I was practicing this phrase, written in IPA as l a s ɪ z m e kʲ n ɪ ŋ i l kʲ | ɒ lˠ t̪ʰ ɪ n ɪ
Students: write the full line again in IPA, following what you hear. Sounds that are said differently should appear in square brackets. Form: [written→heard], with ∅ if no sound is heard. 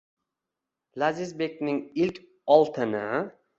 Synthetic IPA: l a [s→z] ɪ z [m→b] e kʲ n ɪ ŋ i l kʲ | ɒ lˠ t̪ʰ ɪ n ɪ